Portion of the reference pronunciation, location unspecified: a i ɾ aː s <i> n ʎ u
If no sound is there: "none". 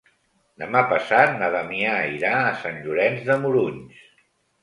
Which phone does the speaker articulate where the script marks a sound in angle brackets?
a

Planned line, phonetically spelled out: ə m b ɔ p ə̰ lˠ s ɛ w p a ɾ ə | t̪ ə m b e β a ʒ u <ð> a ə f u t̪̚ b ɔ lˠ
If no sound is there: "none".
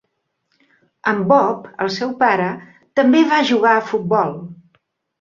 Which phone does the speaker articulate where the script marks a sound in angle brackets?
ɣ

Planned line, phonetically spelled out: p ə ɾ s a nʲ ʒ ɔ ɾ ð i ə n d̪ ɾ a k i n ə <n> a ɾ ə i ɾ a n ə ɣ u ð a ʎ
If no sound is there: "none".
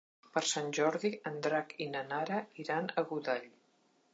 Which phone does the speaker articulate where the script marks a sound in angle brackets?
n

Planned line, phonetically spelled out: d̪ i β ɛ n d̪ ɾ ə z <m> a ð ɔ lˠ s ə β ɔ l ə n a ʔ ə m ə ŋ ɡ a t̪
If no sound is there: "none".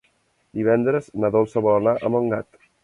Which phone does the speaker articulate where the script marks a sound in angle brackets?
n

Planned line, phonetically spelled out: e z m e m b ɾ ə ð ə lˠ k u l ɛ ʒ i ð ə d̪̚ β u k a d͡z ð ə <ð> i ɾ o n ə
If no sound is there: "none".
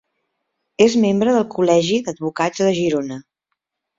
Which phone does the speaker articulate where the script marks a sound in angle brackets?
ʒ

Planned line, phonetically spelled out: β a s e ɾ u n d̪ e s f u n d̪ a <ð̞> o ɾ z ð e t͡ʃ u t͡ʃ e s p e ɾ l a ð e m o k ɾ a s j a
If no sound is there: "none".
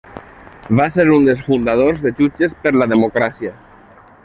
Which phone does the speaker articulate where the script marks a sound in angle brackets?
ð̞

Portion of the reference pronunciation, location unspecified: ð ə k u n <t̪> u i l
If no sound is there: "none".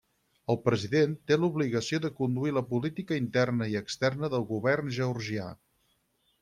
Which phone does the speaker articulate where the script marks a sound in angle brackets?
d̪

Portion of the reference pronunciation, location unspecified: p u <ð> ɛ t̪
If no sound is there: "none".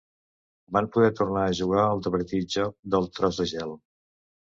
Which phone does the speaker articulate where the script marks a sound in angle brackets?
ð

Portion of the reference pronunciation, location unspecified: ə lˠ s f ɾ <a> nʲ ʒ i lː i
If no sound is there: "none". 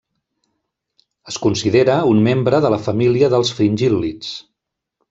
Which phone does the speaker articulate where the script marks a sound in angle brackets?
i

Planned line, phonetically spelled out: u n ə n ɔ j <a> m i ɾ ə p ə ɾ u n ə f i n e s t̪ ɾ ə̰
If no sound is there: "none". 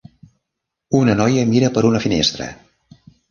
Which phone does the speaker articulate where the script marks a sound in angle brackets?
ə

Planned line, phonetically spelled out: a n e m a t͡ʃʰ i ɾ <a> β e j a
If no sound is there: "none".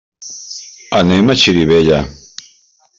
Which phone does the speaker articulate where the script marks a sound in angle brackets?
i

